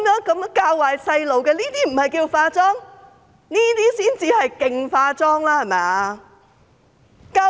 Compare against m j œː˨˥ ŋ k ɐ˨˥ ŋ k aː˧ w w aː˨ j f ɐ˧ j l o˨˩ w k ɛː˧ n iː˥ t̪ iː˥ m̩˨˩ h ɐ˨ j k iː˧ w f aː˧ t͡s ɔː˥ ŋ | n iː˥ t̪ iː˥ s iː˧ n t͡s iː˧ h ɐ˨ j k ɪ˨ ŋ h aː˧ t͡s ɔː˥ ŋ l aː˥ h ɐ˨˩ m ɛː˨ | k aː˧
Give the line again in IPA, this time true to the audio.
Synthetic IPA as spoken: m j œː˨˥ ŋ k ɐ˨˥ m k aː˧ w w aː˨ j s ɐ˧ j l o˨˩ w k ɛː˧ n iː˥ t̪ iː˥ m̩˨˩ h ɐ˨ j k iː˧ w f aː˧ t͡s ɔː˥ ŋ | n iː˥ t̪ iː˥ s iː˥ n t͡s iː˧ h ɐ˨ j k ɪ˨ ŋ f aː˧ t͡s ɔː˥ ŋ l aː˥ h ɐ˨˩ m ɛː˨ | k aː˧